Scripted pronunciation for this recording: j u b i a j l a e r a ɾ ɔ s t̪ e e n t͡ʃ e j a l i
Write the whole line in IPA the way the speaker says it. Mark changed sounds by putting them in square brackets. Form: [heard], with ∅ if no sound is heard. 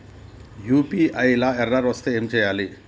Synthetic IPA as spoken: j u [p] i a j l a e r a ɾ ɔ s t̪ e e [m] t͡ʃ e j a l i